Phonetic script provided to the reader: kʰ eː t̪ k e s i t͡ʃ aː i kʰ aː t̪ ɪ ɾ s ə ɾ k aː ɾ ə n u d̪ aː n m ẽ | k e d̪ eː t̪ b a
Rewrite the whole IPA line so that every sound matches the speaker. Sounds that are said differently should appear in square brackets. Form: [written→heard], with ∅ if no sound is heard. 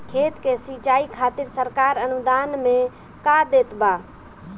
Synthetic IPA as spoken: kʰ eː t̪ k e s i t͡ʃ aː i kʰ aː t̪ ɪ ɾ s ə ɾ k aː ɾ ə n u d̪ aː n m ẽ | k [e→a] d̪ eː t̪ b a